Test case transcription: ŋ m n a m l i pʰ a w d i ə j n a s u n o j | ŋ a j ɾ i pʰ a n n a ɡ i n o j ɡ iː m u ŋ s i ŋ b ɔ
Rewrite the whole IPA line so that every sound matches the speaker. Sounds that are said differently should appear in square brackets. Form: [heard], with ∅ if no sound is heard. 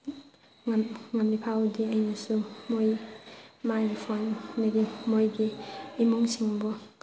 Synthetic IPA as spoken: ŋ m [ŋ] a m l i pʰ a w d i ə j n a s u [m] o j | [m] a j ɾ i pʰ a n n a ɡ i [m] o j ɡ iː m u ŋ s i ŋ b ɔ